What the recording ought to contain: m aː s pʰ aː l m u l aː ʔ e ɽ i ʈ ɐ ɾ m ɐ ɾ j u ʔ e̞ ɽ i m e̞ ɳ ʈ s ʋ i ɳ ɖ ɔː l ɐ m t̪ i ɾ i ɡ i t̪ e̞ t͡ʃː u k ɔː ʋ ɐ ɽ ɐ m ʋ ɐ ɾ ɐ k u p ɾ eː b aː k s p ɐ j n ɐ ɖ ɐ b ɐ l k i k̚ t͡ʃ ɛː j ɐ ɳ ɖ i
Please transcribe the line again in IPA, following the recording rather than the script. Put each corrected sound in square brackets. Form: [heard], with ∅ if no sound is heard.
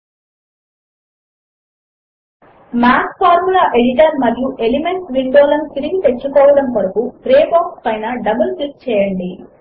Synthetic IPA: m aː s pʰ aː [ɾ] m u l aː ʔ e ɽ i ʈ ɐ ɾ m ɐ ɾ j u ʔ e̞ [l] i m e̞ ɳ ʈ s ʋ i ɳ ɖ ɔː l ɐ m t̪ i ɾ i ɡ i t̪ e̞ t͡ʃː u k ɔː ʋ ɐ ɽ ɐ m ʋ ɐ ɾ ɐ k u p ɾ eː b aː k s p ɐ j n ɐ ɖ ɐ b ɐ l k i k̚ t͡ʃ ɛː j ɐ ɳ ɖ i